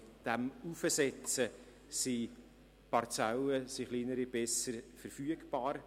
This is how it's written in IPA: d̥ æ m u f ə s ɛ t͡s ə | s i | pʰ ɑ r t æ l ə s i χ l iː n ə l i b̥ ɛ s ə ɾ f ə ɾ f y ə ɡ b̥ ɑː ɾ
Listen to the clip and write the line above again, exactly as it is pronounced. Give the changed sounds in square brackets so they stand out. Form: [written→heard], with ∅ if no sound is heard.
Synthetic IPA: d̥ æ m u f ə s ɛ t͡s ə | s i | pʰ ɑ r [t→t͡s] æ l ə s i χ l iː n ə [l→ɾ] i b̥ ɛ s ə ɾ f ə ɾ f y ə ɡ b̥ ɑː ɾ